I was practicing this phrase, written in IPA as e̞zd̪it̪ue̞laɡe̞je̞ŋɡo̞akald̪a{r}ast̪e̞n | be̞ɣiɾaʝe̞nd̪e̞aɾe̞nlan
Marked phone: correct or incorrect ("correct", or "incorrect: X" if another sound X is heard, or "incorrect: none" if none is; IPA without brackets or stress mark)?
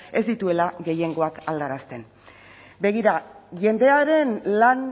incorrect: ɾ